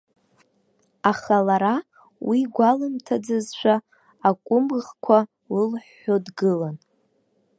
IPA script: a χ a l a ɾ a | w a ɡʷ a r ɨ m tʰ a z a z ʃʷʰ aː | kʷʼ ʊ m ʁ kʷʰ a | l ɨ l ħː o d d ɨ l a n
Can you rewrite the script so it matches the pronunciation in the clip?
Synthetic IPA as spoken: a χ a l a ɾ a | w i ɡʷ a l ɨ m tʰ a d͡z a z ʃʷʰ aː | kʷʼ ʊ m ʁ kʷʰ a | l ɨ l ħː o d ɡ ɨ l a n